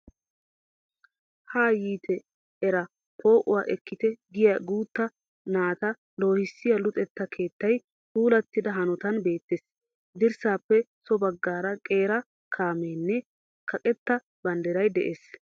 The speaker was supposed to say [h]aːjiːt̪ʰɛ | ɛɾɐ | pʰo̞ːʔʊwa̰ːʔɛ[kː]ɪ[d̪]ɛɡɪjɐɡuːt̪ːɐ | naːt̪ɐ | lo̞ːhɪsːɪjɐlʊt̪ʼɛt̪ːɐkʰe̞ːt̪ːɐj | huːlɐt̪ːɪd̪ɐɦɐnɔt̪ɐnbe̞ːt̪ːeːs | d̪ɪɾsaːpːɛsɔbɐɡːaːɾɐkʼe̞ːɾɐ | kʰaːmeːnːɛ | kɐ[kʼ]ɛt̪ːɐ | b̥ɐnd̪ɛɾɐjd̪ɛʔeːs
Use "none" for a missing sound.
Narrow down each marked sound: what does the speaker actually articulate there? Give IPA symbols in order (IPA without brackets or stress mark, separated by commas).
h, kː, t̪, kʼ